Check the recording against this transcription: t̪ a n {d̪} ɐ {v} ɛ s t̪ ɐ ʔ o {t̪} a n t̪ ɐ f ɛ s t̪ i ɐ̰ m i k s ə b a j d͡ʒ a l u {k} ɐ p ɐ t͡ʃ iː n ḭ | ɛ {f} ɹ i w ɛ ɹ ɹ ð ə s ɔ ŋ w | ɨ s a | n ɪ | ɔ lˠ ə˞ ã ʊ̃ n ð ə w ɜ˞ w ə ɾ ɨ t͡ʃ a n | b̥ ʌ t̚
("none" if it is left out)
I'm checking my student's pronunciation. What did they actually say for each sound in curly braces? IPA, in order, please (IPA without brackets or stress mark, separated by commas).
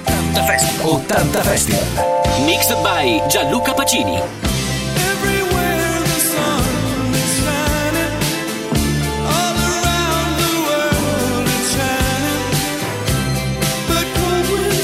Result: t̪, f, t̪, k, v